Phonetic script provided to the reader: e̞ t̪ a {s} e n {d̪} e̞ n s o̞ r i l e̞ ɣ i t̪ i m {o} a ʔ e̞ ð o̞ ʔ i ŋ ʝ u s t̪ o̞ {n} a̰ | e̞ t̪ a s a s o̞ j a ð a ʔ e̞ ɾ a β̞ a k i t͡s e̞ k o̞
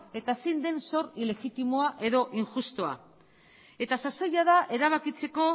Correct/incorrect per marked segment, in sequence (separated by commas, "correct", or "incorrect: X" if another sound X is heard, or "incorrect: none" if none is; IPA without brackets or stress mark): correct, correct, correct, incorrect: none